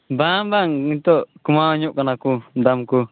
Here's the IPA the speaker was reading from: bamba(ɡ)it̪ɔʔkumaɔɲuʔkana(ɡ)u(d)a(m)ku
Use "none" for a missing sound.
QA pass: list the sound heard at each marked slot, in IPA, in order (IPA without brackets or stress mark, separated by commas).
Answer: ŋ, k, d, m